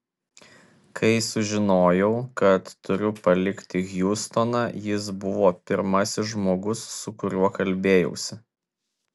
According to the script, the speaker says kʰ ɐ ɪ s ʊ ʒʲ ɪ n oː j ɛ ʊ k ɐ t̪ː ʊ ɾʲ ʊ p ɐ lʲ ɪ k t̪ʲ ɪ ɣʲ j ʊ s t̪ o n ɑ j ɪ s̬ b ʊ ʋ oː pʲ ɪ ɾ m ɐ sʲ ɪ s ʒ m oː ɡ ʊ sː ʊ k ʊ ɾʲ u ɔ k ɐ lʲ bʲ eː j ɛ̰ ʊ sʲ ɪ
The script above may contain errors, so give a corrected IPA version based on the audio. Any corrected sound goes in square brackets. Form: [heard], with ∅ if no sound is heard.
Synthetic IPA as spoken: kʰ ɐ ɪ s ʊ ʒʲ ɪ n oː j ɛ ʊ k ɐ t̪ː ʊ ɾʲ ʊ p ɐ lʲ ɪ k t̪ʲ ɪ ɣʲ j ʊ s t̪ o n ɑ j ɪ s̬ b ʊ ʋ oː pʲ ɪ ɾ m ɐ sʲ ɪ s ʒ m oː ɡ ʊ sː ʊ k ʊ ɾʲ u ɔ k ɐ lʲ bʲ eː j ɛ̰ ʊ sʲ ɪ